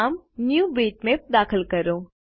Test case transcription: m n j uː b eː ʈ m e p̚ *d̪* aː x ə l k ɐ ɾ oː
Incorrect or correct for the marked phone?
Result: correct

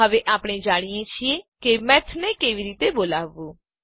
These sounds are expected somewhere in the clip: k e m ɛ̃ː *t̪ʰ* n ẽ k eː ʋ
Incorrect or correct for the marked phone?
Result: correct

